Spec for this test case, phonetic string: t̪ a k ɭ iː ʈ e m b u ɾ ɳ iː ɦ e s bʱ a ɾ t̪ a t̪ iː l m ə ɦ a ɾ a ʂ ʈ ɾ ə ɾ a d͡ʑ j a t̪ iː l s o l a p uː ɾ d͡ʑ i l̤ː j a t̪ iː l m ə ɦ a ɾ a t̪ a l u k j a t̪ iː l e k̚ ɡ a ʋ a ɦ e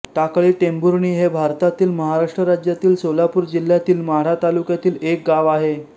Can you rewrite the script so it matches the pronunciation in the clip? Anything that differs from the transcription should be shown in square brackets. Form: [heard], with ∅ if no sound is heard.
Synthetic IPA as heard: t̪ a k ɭ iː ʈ e m b u ɾ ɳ iː ɦ e [∅] bʱ a ɾ t̪ a t̪ iː l m ə ɦ a ɾ a ʂ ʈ ɾ ə ɾ a d͡ʑ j a t̪ iː l s o l a p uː ɾ d͡ʑ i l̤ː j a t̪ iː l m ə ɦ a ɾ a t̪ a l u k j a t̪ iː l e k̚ ɡ a ʋ a ɦ e